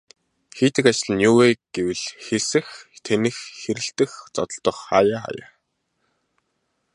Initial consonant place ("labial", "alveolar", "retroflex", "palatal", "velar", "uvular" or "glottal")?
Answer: velar